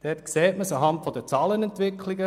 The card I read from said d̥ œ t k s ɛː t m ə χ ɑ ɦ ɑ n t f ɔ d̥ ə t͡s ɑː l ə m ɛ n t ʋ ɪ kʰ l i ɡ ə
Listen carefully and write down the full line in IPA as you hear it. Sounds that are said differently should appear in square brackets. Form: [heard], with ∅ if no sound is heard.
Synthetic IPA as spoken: d̥ [ɛ] t k s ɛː t m ə [s] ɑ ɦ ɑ n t f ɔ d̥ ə t͡s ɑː l ə [n] ɛ n t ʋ ɪ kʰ l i ɡ ə